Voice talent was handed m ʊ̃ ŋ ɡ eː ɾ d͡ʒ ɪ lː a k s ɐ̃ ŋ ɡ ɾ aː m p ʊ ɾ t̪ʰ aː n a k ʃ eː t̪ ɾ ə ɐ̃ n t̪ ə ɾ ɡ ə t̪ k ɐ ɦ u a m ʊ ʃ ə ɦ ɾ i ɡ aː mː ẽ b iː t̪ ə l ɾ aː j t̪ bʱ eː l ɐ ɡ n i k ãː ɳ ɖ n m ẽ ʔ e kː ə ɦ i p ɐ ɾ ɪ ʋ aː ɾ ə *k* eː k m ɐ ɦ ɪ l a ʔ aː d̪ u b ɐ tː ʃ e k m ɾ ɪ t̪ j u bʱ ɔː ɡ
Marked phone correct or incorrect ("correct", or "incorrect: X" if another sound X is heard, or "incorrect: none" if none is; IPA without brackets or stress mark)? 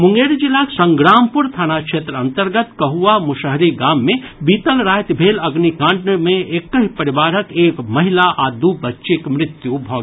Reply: correct